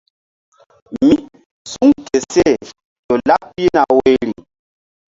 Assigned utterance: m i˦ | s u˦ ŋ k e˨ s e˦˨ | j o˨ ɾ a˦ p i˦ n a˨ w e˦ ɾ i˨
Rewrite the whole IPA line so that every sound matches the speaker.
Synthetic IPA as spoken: m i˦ | s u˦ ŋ k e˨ s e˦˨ | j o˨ l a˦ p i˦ n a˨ w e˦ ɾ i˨